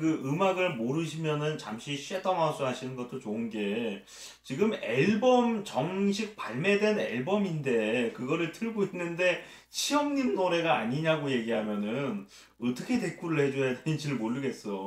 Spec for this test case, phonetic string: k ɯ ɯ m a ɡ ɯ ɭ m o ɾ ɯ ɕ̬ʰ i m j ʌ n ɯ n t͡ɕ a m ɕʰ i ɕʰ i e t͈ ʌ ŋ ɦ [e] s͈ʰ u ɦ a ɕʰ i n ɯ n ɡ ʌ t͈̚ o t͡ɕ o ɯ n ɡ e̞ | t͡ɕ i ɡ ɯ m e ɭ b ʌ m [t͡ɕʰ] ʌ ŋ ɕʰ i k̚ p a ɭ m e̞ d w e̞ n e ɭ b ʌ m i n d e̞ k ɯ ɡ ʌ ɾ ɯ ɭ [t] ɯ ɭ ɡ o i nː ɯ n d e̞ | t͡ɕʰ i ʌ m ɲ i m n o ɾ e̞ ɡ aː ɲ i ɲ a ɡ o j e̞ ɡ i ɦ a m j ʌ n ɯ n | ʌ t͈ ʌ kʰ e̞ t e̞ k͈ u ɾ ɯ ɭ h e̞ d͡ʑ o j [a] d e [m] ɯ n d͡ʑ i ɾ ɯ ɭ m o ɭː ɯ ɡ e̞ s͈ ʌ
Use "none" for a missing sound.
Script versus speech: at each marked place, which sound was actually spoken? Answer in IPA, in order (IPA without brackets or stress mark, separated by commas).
a, t͡ɕ, tʰ, a, n